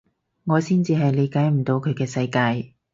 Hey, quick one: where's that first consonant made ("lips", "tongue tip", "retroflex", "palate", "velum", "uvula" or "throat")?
velum